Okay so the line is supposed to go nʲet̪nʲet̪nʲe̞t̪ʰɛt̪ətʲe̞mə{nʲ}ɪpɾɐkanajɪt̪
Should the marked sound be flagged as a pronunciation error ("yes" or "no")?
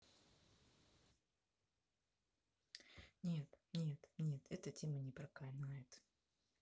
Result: no